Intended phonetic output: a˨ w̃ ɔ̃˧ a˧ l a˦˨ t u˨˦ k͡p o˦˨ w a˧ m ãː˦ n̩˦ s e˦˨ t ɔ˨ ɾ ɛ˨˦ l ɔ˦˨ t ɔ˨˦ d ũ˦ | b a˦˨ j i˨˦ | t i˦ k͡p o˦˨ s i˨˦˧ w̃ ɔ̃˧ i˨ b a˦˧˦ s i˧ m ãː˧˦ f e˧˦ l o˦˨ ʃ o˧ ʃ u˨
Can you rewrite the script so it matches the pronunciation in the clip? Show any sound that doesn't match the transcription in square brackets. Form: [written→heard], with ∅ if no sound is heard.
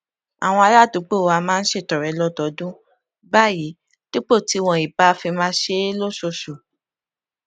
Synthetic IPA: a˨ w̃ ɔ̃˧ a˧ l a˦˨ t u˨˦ k͡p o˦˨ w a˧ m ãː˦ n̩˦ [s→ʃ] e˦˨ t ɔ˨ ɾ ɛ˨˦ l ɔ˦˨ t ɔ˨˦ d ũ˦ | b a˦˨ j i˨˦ | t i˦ k͡p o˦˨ [s→t] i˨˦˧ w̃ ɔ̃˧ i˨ b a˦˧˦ [s→f] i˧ m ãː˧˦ [f→ʃ] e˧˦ l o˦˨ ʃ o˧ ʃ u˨